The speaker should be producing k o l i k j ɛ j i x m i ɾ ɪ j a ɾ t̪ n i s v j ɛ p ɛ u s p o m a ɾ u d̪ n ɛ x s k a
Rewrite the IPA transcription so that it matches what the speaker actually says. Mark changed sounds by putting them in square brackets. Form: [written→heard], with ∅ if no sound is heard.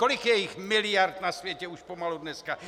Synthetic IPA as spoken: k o l i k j ɛ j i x m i [ɾ→l] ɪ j a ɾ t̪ n [i→a] s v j ɛ [p→c] ɛ u [s→ʃ] p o m a [ɾ→l] u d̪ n ɛ [x→∅] s k a